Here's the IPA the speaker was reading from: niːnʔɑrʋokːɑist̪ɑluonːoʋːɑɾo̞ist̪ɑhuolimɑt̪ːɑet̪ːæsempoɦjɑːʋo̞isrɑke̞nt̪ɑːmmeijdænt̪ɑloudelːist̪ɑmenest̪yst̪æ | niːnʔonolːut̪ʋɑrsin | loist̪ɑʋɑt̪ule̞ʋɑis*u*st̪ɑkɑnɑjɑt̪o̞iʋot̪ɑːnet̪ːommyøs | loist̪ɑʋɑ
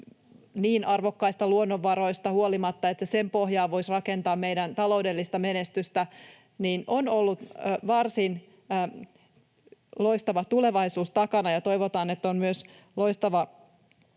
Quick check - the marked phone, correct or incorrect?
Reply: incorrect